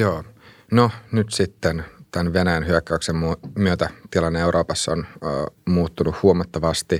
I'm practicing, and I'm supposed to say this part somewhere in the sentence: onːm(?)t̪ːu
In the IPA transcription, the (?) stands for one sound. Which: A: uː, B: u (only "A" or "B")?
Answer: A